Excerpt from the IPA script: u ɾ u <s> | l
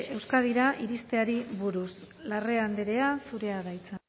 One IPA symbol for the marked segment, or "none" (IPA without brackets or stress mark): s